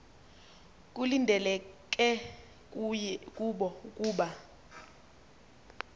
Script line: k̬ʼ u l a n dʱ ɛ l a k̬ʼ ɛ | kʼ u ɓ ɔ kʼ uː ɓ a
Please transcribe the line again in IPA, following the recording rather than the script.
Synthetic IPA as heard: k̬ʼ u l i n dʱ ɛ l ɛ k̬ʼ ɛ | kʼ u ɓ ɔ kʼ uː ɓ a